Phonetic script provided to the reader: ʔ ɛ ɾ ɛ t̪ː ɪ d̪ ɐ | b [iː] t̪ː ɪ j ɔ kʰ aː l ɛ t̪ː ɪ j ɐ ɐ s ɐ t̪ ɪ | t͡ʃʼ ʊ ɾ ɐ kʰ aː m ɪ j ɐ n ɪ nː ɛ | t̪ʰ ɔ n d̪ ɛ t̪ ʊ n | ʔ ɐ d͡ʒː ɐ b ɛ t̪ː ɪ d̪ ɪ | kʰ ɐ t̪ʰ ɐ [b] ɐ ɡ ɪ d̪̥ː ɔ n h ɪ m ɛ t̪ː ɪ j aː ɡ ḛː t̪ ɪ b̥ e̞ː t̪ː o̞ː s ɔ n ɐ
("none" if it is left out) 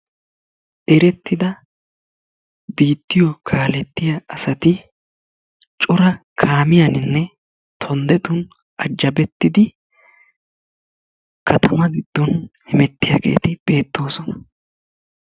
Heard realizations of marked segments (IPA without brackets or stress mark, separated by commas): iː, m